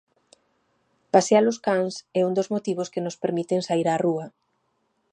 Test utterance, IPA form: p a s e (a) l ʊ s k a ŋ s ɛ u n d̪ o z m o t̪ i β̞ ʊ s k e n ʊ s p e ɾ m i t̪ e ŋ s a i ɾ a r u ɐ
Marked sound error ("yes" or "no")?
no